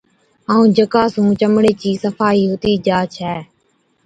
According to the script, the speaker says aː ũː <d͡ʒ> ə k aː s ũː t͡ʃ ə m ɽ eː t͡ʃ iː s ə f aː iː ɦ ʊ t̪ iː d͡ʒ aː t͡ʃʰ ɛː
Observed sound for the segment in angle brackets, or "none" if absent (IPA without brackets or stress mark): d͡ʒ